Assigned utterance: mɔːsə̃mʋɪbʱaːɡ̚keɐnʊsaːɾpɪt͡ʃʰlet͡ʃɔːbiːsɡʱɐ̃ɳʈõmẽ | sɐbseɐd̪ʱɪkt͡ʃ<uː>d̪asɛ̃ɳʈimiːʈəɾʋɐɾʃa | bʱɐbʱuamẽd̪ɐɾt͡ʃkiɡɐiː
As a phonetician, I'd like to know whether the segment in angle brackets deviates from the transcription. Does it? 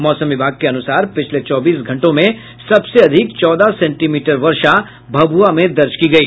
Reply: yes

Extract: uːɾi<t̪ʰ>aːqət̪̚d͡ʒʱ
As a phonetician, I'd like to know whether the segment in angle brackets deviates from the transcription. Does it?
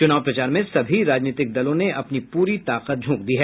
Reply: yes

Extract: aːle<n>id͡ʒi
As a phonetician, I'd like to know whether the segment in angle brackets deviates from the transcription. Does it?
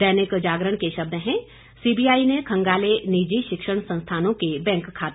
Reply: no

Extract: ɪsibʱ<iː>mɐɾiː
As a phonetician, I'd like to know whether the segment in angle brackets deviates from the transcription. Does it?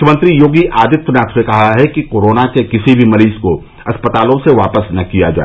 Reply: yes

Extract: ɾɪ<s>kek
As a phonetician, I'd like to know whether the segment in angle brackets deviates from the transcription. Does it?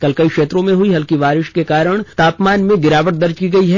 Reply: yes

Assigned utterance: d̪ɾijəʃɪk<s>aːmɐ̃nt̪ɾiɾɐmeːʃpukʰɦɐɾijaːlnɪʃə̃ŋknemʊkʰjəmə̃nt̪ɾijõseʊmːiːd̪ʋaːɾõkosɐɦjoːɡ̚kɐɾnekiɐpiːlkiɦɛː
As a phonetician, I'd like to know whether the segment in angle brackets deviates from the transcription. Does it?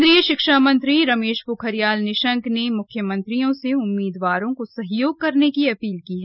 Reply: yes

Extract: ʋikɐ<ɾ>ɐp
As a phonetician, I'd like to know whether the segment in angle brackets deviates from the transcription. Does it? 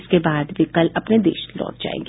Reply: yes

